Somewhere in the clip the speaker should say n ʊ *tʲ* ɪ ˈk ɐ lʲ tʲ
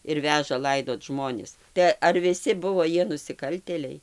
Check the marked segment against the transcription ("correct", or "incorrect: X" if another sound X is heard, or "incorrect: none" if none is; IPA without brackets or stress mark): incorrect: sʲ